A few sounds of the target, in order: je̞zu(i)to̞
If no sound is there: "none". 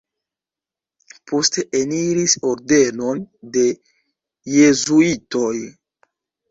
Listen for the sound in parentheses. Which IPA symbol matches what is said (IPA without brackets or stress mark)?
i